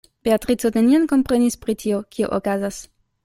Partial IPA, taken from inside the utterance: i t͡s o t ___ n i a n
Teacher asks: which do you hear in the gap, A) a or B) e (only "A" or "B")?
B